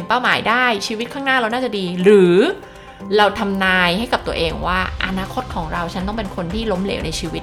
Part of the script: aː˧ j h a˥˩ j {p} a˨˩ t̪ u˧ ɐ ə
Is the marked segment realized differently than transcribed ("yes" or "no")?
yes